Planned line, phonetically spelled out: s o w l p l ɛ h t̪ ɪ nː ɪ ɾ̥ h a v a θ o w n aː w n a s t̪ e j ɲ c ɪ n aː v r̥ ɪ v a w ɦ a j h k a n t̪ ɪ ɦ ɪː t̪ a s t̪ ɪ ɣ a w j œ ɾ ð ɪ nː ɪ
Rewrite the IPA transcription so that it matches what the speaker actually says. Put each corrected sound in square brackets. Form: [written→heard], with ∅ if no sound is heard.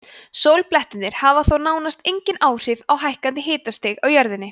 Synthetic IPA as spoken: s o w l p l ɛ h t̪ ɪ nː ɪ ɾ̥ h a v a θ o w n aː w n a s t̪ e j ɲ c ɪ n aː [v→w] r̥ ɪ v a w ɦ a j h k a n t̪ ɪ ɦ ɪː t̪ a s t̪ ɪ ɣ a w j œ ɾ ð ɪ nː ɪ